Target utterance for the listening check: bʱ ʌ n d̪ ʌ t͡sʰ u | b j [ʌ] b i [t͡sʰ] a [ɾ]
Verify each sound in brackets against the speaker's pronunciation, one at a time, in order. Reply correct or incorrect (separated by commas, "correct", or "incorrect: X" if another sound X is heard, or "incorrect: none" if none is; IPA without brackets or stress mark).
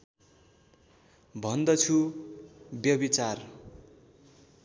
correct, incorrect: t͡s, incorrect: r